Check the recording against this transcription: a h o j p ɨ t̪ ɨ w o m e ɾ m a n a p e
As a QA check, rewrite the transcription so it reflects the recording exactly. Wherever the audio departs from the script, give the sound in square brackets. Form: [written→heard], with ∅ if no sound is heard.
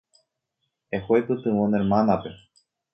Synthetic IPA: [a→e] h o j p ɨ t̪ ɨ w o [m→n] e ɾ m a n a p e